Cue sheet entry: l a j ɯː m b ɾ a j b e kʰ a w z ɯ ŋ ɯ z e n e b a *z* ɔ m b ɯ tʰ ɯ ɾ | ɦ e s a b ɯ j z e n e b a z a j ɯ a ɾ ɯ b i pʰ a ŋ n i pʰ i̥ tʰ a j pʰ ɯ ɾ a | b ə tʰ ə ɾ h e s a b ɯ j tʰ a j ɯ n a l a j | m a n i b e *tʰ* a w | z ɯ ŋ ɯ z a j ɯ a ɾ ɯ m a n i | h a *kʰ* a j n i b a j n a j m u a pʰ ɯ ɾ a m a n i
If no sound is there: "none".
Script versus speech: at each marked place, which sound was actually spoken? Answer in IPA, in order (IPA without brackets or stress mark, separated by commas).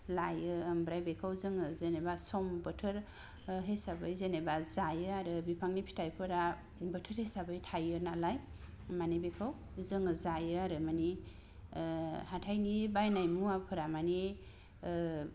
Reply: s, kʰ, tʰ